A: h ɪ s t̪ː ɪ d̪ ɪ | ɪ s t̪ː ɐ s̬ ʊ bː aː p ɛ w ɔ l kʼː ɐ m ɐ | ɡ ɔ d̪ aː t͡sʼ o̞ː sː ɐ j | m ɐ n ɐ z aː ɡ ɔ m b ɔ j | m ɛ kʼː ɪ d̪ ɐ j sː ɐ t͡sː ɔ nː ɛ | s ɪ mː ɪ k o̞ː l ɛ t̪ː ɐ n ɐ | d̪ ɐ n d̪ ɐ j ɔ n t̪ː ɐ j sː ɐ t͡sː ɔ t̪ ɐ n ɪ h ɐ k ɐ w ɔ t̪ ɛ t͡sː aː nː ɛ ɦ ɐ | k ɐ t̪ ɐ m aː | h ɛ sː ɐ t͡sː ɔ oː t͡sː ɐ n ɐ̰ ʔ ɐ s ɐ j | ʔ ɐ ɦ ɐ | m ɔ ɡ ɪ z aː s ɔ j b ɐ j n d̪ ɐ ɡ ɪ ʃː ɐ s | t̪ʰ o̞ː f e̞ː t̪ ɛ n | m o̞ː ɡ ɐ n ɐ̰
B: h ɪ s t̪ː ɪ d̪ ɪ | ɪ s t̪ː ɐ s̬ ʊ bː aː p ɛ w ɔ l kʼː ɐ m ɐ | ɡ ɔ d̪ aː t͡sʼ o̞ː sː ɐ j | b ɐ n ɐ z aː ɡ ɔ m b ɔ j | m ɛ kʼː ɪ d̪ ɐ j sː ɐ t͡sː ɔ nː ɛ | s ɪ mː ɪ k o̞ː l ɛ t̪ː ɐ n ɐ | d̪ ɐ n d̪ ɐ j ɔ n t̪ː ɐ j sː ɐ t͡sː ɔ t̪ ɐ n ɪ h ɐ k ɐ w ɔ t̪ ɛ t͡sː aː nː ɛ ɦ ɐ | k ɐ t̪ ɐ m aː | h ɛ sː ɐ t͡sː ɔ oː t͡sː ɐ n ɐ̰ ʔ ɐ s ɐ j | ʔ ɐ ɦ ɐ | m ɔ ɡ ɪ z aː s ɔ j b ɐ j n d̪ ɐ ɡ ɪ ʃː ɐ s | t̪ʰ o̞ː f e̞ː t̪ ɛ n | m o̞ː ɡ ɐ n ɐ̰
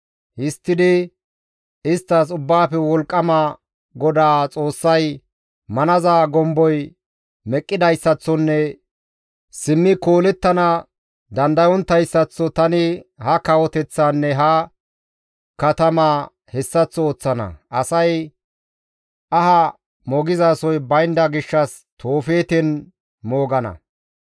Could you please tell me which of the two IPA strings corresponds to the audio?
A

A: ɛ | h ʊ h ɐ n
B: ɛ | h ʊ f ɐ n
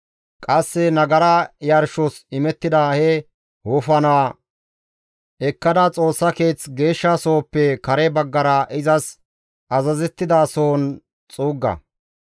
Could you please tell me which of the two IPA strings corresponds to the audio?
B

